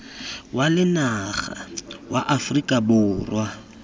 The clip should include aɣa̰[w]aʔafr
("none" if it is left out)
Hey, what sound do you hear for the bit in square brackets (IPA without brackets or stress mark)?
w